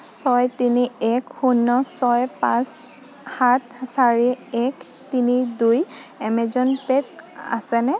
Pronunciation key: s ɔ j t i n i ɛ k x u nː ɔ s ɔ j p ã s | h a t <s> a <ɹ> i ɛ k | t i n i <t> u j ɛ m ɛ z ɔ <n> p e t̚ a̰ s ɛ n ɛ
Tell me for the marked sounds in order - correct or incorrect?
correct, correct, incorrect, correct

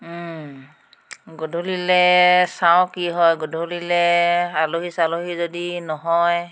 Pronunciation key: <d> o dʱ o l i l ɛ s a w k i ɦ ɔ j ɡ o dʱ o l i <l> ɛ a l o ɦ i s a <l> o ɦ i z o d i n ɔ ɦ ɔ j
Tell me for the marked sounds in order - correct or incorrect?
incorrect, correct, correct

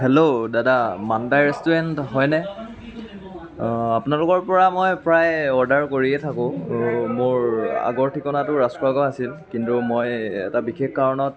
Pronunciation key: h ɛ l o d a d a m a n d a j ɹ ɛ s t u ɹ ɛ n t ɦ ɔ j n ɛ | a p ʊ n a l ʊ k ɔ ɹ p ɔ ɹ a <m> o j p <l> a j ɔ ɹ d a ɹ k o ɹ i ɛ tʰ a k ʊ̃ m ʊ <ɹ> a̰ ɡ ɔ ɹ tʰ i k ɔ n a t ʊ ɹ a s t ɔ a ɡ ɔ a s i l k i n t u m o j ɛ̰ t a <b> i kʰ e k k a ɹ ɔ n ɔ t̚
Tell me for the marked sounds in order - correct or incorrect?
correct, incorrect, correct, correct

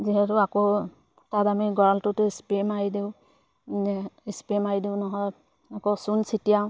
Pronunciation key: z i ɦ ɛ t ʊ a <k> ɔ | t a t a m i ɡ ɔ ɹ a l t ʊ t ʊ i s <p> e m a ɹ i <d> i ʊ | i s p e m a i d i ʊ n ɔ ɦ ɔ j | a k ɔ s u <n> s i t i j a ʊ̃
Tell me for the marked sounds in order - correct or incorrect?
correct, correct, correct, correct

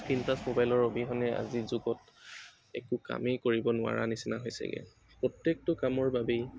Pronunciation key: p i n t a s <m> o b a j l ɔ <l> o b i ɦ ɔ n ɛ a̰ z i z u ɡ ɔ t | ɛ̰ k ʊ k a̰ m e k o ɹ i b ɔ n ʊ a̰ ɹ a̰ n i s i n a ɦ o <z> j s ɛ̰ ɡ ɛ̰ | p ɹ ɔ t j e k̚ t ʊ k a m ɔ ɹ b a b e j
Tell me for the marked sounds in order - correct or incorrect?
correct, incorrect, incorrect

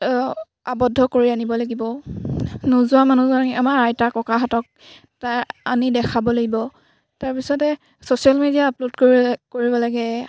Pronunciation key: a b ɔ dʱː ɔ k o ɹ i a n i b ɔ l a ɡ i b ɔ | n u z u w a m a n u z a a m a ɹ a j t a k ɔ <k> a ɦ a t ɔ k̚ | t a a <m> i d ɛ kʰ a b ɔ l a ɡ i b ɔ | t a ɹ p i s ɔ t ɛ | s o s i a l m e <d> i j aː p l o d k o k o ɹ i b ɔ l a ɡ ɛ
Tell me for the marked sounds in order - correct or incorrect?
correct, incorrect, correct

